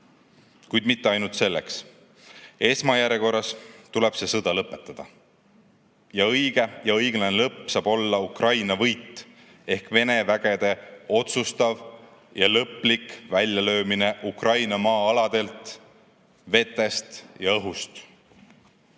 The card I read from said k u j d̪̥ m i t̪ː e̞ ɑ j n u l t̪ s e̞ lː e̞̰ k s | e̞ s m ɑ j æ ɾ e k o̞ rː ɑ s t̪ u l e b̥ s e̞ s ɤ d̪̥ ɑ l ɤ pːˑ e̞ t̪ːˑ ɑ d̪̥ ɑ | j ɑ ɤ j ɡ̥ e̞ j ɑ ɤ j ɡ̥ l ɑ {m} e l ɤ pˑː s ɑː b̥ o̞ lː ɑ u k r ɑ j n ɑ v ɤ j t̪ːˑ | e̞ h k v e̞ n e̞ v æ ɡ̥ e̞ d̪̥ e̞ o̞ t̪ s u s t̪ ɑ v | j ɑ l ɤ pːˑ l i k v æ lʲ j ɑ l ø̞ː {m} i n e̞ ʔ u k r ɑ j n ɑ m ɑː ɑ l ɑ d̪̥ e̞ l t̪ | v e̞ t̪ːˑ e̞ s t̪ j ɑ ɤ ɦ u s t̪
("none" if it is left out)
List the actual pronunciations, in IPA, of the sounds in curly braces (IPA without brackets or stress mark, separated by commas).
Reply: n, m